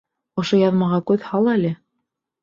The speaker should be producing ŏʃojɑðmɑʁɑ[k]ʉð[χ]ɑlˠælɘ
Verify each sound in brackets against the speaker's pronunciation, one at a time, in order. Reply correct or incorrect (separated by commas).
correct, incorrect